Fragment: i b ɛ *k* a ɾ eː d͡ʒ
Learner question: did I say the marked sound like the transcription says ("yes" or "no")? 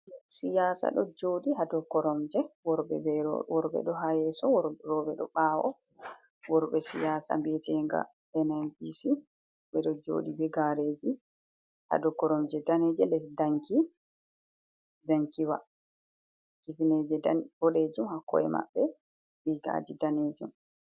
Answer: no